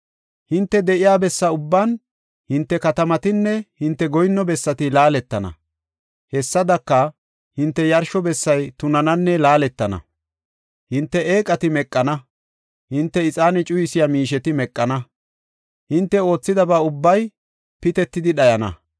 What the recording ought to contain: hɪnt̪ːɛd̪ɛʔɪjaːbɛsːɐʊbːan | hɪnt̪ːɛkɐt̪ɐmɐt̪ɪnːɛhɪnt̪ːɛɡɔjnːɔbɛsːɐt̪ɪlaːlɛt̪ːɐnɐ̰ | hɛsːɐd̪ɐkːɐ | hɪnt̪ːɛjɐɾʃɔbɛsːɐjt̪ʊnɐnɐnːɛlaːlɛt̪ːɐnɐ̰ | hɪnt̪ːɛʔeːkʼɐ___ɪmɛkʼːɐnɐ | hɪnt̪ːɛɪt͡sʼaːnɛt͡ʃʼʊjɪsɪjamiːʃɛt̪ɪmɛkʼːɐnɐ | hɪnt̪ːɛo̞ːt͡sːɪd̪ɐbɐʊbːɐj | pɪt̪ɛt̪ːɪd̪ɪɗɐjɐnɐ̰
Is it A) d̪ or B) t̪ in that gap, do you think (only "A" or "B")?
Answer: B